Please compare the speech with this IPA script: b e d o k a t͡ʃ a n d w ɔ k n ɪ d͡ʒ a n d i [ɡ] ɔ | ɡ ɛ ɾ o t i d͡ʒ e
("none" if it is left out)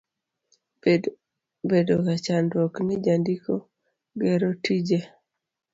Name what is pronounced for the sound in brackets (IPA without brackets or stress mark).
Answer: k